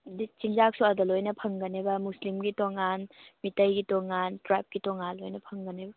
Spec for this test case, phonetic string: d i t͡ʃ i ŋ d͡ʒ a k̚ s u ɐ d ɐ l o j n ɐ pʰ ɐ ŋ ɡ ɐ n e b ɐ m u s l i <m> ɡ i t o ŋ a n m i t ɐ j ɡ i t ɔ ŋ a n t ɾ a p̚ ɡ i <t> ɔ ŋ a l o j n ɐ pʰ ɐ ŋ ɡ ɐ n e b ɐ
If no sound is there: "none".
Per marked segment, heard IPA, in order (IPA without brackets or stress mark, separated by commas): m, t